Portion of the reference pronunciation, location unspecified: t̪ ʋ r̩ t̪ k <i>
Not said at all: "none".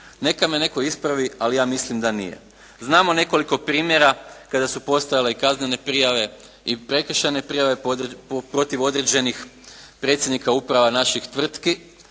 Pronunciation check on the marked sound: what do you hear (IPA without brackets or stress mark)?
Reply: i